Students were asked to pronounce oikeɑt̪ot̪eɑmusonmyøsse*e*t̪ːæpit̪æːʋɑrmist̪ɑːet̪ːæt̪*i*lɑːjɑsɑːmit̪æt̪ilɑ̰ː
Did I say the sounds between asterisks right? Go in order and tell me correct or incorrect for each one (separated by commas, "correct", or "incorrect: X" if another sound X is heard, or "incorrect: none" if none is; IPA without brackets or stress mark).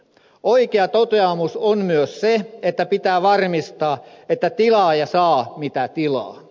correct, correct